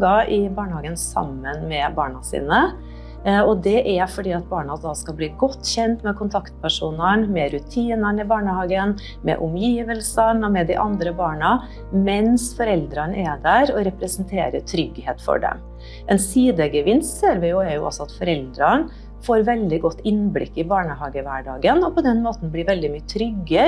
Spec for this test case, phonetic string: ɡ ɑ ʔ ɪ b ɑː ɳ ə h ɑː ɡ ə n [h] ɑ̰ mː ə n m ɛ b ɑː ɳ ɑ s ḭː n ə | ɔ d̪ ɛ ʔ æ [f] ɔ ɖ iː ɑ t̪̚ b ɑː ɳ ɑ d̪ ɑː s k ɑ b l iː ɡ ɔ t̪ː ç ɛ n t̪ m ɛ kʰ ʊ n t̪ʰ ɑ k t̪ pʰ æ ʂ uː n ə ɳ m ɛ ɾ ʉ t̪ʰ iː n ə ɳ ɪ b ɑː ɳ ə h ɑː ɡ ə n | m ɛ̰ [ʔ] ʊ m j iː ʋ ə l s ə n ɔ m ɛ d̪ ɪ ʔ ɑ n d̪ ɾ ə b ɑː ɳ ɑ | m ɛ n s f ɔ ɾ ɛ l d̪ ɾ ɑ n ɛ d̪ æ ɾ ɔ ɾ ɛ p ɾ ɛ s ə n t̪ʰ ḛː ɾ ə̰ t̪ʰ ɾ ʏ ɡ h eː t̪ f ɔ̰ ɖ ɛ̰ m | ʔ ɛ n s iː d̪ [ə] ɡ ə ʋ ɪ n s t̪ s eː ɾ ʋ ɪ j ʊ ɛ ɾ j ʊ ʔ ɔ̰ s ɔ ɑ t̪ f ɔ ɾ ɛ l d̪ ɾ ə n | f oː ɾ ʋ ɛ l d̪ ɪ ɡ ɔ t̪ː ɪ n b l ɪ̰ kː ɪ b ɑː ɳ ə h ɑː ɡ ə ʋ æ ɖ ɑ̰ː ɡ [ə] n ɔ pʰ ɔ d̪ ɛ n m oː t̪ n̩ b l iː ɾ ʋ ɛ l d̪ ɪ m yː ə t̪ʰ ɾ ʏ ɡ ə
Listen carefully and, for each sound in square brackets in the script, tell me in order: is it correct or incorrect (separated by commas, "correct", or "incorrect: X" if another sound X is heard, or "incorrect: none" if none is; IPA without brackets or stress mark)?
incorrect: s, correct, correct, correct, correct